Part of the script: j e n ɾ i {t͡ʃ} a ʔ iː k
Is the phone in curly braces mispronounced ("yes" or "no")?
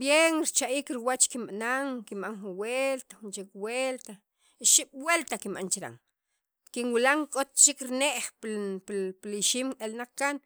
no